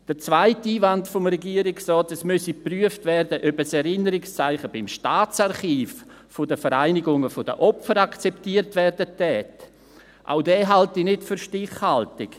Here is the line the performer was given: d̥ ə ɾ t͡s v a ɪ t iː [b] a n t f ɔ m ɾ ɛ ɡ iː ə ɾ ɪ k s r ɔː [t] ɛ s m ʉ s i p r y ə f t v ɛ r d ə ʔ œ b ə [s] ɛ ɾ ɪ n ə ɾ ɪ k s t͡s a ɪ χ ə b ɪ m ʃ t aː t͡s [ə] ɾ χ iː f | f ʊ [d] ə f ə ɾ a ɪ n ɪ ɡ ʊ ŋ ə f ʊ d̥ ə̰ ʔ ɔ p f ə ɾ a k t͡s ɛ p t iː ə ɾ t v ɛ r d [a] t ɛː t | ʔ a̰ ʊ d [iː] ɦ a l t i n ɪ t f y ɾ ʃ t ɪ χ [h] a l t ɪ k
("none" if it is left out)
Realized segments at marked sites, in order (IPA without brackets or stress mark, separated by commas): v, t, s, a, d, ə, ɛː, h